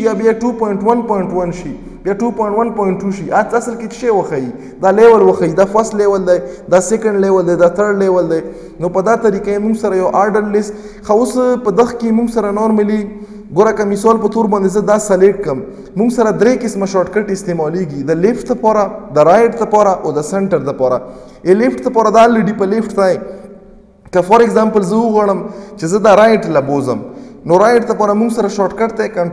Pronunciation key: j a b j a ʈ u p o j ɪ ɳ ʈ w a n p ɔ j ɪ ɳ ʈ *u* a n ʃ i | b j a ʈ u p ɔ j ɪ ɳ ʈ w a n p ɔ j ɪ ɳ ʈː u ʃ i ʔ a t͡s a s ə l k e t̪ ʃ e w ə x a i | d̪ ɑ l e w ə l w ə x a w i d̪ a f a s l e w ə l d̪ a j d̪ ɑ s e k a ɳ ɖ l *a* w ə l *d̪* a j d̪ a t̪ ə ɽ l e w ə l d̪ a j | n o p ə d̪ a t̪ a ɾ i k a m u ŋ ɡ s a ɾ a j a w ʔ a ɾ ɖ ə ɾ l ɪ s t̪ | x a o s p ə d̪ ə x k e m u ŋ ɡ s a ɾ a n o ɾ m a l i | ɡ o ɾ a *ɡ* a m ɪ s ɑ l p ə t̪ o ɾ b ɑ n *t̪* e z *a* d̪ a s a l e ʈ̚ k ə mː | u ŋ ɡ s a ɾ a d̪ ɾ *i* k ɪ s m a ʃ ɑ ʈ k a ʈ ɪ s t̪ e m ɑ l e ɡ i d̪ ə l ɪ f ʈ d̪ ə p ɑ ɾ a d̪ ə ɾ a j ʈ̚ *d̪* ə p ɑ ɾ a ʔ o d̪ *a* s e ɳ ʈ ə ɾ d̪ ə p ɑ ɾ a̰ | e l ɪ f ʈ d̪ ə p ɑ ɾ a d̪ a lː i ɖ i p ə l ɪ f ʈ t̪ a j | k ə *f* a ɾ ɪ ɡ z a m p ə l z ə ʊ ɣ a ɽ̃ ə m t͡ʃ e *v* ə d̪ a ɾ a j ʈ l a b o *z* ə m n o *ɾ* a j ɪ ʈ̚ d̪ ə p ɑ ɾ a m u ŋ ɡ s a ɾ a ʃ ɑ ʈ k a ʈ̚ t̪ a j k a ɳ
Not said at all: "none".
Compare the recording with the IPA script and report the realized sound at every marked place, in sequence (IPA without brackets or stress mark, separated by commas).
w, e, d̪, k, d̪, ə, e, d̪, ə, f, z, z, ɾ